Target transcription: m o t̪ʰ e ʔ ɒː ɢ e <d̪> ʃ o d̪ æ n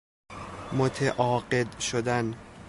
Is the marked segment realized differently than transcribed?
no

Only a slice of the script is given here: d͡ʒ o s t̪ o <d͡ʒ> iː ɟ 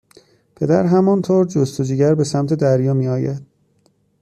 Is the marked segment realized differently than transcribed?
no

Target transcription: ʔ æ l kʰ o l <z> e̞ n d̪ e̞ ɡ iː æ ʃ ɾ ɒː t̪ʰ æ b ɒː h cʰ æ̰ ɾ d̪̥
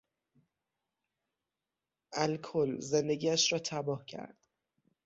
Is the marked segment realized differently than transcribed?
no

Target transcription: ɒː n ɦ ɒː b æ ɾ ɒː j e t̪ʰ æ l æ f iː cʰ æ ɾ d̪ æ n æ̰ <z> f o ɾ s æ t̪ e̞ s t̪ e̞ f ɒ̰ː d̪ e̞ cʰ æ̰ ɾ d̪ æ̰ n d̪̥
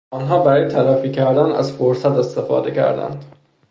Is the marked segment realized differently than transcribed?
no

